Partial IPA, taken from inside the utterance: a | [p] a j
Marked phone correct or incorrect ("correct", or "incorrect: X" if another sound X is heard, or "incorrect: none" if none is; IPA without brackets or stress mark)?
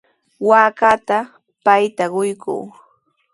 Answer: correct